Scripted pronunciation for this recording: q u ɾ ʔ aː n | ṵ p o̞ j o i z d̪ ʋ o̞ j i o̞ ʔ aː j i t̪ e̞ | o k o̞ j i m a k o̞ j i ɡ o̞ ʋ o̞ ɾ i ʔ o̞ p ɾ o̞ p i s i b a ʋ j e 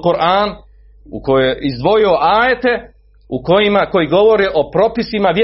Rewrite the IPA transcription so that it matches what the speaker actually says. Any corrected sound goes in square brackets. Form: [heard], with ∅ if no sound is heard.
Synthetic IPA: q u ɾ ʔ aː n | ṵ [k] o̞ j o i z d̪ ʋ o̞ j i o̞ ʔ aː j [e] t̪ e̞ | [u] k o̞ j i m a k o̞ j i ɡ o̞ ʋ o̞ ɾ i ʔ o̞ p ɾ o̞ p i s i [m] a ʋ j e